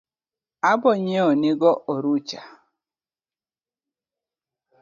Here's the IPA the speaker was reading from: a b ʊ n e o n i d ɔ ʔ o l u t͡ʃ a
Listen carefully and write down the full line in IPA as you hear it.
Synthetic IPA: a b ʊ ɲ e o n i ɡ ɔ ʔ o ɾ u t͡ʃ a